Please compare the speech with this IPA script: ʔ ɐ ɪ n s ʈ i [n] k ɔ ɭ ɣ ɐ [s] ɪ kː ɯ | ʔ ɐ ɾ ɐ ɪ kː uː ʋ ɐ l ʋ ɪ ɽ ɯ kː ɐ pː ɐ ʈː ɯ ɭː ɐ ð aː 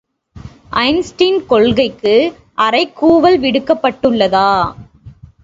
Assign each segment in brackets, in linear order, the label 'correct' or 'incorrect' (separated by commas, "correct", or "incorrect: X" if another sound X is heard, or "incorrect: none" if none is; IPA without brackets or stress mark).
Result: correct, incorrect: none